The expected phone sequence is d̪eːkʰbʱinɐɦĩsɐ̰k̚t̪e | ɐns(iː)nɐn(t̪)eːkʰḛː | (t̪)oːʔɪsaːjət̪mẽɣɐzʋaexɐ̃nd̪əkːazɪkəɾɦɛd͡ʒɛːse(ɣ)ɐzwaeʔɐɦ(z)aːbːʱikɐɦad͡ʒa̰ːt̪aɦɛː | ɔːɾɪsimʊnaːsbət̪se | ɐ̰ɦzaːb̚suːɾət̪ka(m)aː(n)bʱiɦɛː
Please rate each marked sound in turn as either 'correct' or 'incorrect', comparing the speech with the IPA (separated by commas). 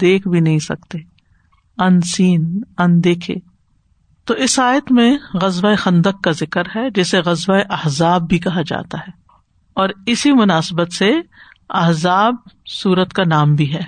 correct, incorrect, correct, correct, correct, incorrect, incorrect